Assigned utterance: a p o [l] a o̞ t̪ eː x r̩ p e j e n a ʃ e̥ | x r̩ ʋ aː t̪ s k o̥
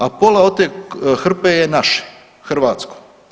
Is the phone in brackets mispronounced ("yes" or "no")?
no